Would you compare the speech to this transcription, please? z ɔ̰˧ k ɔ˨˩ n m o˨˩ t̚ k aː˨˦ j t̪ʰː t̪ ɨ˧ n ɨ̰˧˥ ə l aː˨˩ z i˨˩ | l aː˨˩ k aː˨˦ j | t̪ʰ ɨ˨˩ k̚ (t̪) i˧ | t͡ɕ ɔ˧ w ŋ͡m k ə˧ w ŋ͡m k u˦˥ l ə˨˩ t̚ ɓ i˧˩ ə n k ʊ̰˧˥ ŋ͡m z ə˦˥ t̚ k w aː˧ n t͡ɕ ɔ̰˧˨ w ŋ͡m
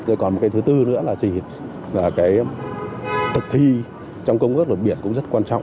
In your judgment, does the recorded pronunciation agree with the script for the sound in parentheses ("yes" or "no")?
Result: no